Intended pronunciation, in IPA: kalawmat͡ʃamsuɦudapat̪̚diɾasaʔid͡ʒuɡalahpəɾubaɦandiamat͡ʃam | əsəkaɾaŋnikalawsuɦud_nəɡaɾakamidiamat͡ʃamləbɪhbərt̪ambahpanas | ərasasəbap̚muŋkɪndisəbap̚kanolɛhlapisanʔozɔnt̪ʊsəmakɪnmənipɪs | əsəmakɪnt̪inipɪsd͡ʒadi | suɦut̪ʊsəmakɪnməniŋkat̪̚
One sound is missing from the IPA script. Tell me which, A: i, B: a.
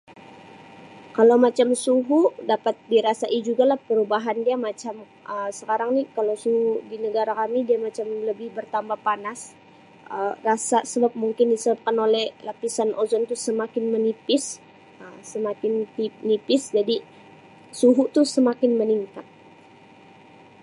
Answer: A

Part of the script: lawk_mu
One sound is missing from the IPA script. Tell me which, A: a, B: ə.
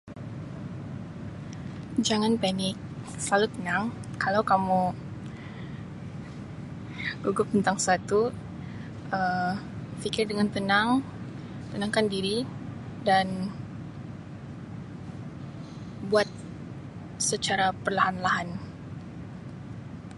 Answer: A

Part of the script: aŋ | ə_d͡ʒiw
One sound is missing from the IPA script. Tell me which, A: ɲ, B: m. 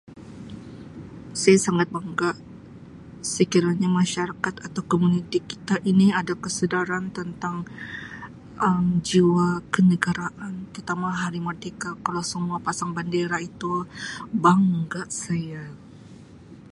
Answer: B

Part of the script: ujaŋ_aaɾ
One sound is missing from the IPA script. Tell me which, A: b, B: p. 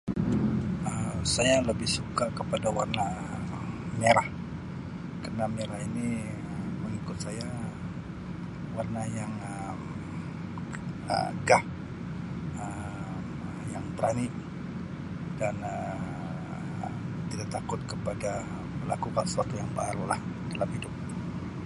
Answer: A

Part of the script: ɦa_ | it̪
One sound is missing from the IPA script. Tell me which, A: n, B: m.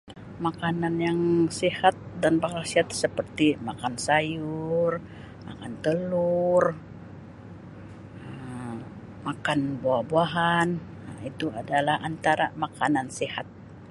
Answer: A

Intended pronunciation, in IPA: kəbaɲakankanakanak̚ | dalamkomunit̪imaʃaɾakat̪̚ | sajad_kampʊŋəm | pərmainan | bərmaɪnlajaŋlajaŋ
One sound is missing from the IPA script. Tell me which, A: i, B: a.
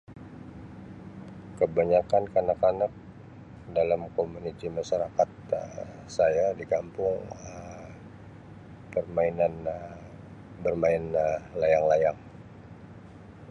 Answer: A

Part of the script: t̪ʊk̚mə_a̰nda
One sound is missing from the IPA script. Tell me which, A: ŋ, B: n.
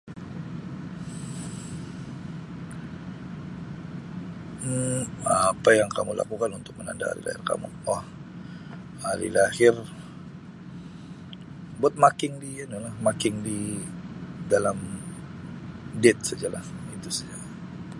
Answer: B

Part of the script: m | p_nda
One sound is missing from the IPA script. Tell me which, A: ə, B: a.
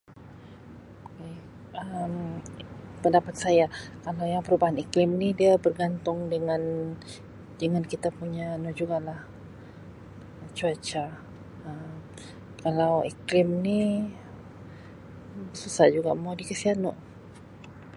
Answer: A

